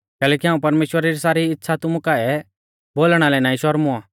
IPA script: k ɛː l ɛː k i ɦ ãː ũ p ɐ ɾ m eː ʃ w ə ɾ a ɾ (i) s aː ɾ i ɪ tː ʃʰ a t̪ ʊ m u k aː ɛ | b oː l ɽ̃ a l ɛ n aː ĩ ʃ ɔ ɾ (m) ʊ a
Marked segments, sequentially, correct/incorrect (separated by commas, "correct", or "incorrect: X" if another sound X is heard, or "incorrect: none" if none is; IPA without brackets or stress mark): correct, correct